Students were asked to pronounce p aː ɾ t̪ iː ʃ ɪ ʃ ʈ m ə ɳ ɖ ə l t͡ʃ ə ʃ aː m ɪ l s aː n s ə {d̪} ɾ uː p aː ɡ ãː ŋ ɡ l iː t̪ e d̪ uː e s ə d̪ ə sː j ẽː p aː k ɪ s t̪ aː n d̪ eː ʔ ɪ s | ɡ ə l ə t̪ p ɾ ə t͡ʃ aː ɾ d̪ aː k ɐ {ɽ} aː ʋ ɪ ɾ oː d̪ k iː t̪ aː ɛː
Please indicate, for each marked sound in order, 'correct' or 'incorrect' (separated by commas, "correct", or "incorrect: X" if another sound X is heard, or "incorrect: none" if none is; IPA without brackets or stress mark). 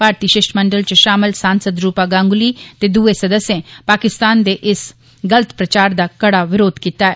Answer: correct, correct